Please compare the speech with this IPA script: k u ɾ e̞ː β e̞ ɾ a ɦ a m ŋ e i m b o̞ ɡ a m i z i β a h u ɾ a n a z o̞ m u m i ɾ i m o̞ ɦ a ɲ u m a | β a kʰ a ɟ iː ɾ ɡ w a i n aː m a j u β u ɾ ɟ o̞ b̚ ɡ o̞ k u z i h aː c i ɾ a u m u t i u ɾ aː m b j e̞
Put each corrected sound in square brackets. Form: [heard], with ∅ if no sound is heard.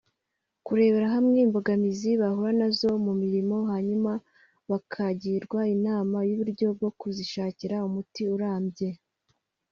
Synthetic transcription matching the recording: k u ɾ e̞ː β e̞ ɾ a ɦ a m ŋ e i m b o̞ ɡ a m i z i β a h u ɾ a n a z o̞ m u m i ɾ i m o̞ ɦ a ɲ u m a | β a kʰ a ɟ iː ɾ ɡ w a i n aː m a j u β u ɾ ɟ o̞ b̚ ɡ o̞ k u z i [ʃ] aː c i ɾ a u m u t i u ɾ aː m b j e̞